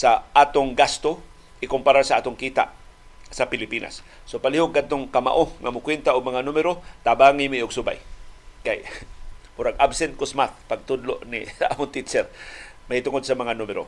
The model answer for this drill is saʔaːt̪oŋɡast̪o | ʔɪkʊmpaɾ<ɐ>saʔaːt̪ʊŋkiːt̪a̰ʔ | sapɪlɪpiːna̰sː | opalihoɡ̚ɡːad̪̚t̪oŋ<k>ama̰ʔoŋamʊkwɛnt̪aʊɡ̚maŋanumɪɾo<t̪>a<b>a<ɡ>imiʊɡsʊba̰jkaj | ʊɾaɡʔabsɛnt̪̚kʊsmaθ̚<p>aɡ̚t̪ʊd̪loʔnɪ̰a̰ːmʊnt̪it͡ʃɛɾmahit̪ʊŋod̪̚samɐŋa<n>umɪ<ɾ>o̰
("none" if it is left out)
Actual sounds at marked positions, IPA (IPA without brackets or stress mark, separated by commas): a, k, t̪, b, ŋ, p, n, ɾ